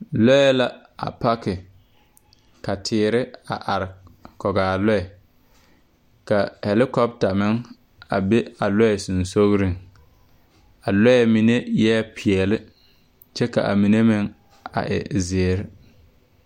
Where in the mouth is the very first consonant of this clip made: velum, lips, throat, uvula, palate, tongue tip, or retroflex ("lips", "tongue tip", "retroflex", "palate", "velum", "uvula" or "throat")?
tongue tip